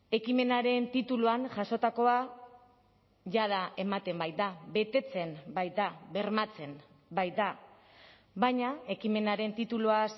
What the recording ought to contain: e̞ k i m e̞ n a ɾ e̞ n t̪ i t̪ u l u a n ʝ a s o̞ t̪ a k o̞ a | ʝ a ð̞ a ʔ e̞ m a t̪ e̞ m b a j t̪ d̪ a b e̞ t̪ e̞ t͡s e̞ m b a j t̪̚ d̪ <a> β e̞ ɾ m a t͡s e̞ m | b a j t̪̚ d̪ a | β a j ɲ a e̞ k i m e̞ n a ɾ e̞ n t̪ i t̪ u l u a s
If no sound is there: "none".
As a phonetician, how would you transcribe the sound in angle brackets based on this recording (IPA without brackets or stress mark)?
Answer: a